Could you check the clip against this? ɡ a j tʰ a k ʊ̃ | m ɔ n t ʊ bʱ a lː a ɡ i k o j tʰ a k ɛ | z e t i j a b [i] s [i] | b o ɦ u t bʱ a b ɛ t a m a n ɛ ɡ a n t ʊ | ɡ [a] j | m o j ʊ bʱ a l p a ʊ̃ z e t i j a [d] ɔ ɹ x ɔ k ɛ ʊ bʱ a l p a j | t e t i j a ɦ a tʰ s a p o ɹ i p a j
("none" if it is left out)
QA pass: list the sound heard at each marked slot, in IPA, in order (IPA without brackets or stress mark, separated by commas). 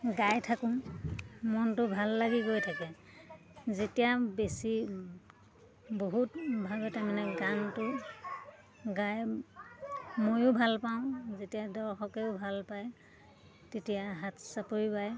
e, i, a, d